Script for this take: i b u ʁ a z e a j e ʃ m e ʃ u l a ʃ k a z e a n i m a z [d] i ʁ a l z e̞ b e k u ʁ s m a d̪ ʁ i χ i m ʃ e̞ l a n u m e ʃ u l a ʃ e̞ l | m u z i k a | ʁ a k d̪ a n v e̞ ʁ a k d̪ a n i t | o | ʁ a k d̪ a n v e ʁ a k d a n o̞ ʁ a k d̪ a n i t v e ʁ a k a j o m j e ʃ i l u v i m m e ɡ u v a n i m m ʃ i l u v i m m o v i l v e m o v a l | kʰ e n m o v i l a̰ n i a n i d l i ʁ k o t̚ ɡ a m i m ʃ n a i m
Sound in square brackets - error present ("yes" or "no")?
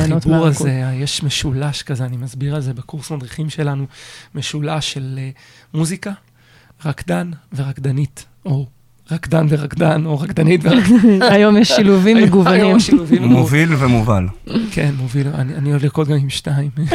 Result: yes